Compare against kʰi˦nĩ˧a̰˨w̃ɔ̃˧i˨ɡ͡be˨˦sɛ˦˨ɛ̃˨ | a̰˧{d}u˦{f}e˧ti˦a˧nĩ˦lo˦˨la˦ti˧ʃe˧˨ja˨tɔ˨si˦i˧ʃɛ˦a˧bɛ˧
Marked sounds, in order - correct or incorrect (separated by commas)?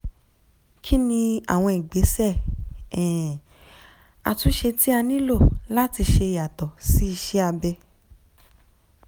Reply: incorrect, incorrect